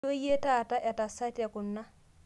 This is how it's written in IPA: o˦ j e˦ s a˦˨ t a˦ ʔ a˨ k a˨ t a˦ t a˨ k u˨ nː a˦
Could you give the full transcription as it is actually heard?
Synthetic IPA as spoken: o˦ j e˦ t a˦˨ t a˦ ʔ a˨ t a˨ s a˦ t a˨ k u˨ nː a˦